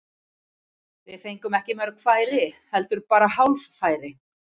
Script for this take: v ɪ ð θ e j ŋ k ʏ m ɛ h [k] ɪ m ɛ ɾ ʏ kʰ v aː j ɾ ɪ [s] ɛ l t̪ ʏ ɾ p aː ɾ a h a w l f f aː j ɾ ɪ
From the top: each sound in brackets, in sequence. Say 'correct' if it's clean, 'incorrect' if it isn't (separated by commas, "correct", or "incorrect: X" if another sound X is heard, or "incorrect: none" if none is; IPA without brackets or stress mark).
incorrect: c, incorrect: h